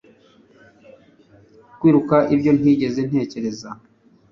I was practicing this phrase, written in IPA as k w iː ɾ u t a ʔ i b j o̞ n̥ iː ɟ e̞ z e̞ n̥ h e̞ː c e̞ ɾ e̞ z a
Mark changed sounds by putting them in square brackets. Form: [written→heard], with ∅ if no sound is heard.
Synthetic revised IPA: k w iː ɾ u [t→k] a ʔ i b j o̞ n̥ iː ɟ e̞ z e̞ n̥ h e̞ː c e̞ ɾ e̞ z a